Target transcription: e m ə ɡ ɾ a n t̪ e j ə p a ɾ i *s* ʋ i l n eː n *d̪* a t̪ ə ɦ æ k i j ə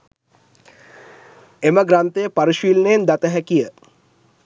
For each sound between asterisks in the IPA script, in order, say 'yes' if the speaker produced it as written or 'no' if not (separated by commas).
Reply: no, yes